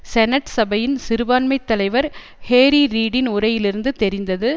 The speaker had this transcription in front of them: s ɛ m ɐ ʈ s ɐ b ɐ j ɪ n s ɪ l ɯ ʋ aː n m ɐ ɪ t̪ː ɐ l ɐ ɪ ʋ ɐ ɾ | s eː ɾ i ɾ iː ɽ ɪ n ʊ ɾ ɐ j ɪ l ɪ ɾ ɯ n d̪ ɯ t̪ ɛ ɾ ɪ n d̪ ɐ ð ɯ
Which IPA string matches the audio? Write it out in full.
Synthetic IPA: s ɛ n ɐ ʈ s ɐ b ɐ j ɪ n s ɪ ɾ ɯ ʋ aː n m ɐ ɪ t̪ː ɐ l ɐ ɪ ʋ ɐ ɾ | h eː ɾ i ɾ iː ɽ ɪ n ʊ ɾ ɐ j ɪ l ɪ ɾ ɯ n d̪ ɯ t̪ ɛ ɾ ɪ n d̪ ɐ ð ɯ